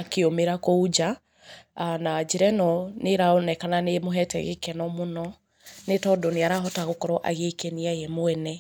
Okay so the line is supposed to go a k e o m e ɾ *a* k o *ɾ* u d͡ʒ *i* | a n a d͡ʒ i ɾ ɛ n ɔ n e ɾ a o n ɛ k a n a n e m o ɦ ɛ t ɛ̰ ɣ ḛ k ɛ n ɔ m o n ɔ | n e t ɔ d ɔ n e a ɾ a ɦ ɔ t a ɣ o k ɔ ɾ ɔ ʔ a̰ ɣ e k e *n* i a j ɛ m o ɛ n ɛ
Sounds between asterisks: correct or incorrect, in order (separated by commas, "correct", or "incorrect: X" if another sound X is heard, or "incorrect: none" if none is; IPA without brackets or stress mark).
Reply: correct, incorrect: none, incorrect: a, correct